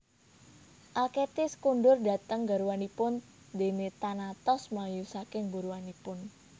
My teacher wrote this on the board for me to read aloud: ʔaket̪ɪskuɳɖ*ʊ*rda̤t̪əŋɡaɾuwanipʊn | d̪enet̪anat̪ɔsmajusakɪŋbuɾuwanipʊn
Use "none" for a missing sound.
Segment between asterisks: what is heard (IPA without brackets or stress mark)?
ʊ